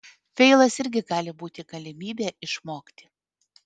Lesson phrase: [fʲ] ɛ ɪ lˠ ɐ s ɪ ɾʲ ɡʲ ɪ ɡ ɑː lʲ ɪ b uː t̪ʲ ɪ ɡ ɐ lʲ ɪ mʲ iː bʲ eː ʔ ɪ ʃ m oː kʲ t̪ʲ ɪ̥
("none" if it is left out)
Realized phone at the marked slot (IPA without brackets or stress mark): fʲ